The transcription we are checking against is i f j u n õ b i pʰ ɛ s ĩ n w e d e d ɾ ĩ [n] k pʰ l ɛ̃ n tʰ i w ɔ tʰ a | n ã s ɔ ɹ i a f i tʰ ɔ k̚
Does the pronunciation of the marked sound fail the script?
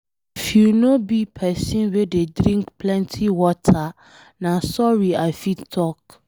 yes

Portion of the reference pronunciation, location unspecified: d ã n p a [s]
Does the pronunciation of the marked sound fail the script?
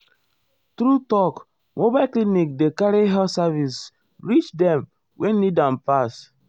no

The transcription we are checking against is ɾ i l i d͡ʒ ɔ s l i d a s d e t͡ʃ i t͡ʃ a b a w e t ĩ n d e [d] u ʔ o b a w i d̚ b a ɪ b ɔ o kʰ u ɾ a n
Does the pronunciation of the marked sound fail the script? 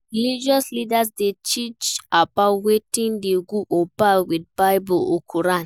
yes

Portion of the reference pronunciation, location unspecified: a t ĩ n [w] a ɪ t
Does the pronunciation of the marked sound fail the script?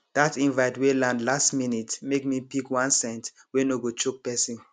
yes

